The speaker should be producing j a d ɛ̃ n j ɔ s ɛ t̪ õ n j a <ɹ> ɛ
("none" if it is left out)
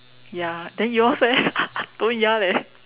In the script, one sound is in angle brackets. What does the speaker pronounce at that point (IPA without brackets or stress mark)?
l